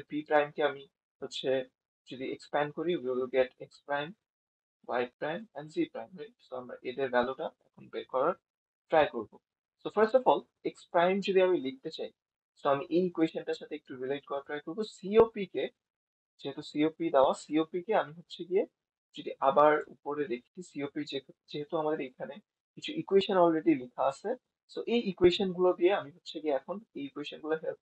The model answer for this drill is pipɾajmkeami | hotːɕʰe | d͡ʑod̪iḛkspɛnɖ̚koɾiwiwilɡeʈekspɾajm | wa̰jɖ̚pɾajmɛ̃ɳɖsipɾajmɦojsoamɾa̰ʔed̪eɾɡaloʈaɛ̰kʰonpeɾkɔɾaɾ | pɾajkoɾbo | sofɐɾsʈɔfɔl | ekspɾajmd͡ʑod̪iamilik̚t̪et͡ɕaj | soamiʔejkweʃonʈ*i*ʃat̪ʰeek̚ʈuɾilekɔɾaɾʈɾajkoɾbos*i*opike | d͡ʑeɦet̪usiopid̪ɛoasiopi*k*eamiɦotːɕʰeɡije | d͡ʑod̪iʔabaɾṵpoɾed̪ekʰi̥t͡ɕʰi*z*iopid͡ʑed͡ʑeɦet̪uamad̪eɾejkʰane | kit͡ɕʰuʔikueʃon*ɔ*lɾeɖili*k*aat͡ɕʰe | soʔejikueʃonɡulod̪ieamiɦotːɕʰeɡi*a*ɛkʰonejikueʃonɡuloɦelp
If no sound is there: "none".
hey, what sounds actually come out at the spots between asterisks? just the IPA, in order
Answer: a, i, k, s, ɔ, kʰ, e

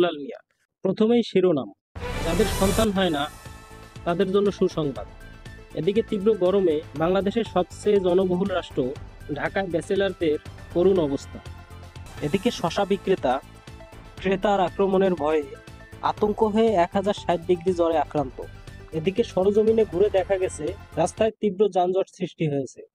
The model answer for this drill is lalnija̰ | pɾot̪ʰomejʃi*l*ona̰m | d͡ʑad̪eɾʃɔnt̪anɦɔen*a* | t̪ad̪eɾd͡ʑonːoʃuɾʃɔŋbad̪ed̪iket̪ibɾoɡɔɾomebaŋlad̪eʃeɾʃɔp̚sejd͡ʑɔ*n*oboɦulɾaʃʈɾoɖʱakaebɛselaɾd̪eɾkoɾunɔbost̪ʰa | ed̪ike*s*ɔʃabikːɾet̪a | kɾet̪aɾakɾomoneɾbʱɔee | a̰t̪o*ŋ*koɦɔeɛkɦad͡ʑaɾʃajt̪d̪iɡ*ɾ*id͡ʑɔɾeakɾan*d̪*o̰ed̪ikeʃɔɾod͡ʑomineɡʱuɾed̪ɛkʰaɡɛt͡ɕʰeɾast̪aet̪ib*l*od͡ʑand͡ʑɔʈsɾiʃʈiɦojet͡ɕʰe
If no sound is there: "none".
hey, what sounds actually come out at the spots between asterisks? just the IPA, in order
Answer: ɾ, a, n, ʃ, ŋ, ɾ, t̪, ɾ

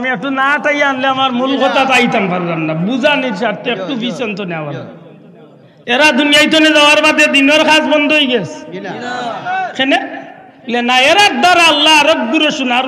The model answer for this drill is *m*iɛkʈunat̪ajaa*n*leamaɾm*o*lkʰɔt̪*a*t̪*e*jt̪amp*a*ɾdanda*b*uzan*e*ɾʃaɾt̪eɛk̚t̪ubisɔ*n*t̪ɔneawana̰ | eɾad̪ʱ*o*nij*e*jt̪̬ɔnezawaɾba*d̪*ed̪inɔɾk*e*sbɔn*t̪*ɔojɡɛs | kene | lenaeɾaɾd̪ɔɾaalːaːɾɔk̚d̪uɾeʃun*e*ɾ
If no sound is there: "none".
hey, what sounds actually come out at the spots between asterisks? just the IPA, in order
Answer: m, n, u, a, a, a, b, i, n, u, a, d̪, a, d̪, a

